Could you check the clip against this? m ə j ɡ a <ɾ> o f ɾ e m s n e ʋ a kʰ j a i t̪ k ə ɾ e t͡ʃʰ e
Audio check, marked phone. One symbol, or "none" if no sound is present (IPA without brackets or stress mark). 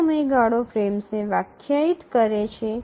ɽ